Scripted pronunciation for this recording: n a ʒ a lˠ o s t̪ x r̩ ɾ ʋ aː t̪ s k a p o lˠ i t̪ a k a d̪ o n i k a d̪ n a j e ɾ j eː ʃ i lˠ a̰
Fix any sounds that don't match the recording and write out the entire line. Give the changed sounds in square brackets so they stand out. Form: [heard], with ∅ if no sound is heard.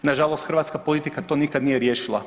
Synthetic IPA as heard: n a ʒ a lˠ o s t̪ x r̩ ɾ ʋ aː t̪ s k a p o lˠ i t̪ [i] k a [t̪] o n i k a d̪ n [i] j e ɾ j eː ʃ i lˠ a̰